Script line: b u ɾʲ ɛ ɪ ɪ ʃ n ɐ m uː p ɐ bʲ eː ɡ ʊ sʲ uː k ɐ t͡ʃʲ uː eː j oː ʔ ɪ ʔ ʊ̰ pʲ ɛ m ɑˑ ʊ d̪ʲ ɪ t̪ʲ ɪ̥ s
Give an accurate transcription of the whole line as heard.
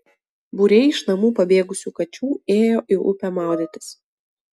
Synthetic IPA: b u ɾʲ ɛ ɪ ɪ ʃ n ɐ m uː p ɐ bʲ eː ɡ ʊ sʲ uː k ɐ t͡ʃʲ uː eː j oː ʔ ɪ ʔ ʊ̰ pʲ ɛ m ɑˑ ʊ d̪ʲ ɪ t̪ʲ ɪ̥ s

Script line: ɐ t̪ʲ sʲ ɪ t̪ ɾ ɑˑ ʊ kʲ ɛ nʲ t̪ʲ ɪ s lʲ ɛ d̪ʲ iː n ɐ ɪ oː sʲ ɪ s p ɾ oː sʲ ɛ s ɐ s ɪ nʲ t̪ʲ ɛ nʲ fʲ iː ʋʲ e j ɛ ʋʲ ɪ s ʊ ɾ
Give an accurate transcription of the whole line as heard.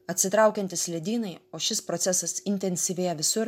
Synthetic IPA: ɐ t̪ʲ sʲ ɪ t̪ ɾ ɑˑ ʊ kʲ ɛ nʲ t̪ʲ ɪ s lʲ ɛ d̪ʲ iː n ɐ ɪ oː ʃʲ ɪ s p ɾ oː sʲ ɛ s ɐ s ɪ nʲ t̪ʲ ɛ nʲ sʲ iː ʋʲ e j ɛ ʋʲ ɪ s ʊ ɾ

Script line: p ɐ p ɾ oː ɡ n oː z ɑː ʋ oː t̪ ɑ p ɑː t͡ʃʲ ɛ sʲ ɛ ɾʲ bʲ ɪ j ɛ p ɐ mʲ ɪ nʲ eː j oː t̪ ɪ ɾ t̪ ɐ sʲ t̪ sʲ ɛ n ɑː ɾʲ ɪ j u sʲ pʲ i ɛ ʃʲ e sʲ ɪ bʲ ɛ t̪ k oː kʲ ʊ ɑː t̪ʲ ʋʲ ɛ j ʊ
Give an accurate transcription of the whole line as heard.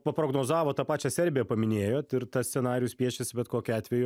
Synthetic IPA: p ɐ p ɾ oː ɡ n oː z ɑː ʋ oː t̪ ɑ p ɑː t͡ʃʲ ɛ sʲ ɛ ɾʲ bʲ ɪ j ɛ p ɐ mʲ ɪ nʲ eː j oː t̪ ɪ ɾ t̪ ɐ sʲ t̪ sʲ ɛ n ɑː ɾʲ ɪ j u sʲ pʲ i ɛ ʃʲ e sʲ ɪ bʲ ɛ t̪ k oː kʲ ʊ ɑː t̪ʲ ʋʲ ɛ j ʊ

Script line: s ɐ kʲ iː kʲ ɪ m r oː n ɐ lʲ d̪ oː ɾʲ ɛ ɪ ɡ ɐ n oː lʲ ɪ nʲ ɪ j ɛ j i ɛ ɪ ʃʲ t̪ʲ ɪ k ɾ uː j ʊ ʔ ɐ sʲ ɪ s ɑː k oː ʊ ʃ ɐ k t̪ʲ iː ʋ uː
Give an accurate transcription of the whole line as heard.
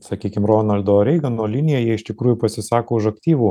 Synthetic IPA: s ɐ kʲ iː kʲ ɪ m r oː n ɐ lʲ d̪ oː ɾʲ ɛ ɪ ɡ ɐ n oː lʲ ɪ nʲ ɪ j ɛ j i ɛ ɪ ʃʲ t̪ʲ ɪ k ɾ uː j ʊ p ɐ sʲ ɪ s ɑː k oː ʊ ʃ ɐ k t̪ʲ iː ʋ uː

